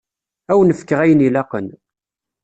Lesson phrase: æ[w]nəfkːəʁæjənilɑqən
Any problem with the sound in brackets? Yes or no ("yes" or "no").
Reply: no